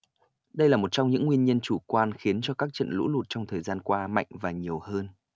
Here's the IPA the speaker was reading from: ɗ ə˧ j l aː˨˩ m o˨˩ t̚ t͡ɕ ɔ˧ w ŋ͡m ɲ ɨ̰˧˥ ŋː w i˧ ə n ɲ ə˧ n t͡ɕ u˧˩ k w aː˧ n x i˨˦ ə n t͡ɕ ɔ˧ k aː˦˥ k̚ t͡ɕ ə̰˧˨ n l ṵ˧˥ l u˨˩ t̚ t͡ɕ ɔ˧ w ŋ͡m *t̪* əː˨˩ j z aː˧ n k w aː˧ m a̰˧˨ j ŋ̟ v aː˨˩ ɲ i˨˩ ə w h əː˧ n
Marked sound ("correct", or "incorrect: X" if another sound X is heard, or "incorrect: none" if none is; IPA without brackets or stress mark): incorrect: t̪ʰ